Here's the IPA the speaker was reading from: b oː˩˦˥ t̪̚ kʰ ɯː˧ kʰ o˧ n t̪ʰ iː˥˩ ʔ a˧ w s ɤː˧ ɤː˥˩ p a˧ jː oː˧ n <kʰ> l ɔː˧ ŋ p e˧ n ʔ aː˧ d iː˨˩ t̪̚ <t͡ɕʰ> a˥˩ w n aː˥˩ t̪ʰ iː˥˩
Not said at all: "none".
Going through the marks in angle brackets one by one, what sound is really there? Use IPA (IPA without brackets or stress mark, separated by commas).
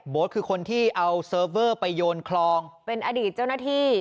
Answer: kʰ, t͡ɕ